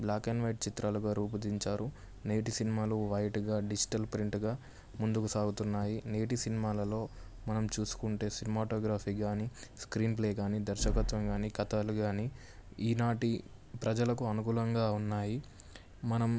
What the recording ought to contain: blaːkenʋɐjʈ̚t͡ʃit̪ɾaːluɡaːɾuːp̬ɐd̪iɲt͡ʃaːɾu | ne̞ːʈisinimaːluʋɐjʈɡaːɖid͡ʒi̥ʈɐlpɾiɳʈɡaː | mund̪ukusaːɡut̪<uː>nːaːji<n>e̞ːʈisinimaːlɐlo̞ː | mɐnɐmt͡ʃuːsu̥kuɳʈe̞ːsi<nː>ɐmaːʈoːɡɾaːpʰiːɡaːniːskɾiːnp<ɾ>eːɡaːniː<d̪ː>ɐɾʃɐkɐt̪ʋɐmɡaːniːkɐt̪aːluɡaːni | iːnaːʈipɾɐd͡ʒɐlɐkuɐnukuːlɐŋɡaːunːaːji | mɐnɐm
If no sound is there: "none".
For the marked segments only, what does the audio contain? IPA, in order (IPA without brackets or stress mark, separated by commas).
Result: u, n, n, l, d̪